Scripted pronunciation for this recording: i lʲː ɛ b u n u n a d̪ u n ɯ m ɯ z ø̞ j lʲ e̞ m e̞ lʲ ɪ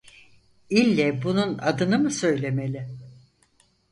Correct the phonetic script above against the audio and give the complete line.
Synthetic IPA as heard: i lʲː ɛ b u n u n a d̪ ɯ n ɯ m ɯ s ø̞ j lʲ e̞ m e̞ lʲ ɪ